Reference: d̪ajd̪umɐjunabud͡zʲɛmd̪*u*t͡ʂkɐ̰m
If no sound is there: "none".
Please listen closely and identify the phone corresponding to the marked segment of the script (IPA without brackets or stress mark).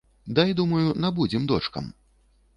ɔ